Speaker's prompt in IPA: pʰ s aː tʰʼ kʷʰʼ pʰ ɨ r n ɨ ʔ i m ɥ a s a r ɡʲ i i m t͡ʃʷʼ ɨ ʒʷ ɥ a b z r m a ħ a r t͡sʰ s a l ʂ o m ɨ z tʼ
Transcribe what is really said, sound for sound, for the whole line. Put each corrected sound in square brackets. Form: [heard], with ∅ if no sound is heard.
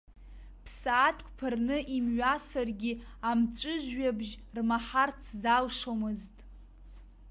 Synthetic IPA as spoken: pʰ s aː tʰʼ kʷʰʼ pʰ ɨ r n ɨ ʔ i m ɥ a s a r ɡʲ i [a] m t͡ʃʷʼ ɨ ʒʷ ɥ a b [ʒ] r m a ħ a r t͡sʰ [z] a l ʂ o m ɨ z tʼ